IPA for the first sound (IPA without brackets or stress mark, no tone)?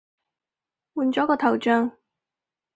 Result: w